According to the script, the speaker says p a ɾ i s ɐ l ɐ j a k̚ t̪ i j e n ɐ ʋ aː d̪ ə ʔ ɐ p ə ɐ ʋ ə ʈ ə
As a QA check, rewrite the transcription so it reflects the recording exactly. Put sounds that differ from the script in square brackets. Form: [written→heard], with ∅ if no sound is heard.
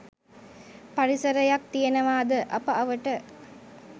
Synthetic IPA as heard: p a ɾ i s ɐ [l→ɾ] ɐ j a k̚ t̪ i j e n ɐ ʋ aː d̪ ə ʔ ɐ p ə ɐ ʋ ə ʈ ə